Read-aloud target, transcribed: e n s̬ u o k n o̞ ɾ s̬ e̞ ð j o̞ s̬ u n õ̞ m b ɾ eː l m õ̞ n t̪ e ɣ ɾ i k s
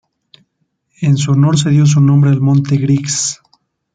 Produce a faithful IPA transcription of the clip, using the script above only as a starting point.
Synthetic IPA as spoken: e n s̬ u o n o̞ ɾ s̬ e̞ ð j o̞ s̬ u n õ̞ m b ɾ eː l m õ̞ n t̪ e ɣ ɾ i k s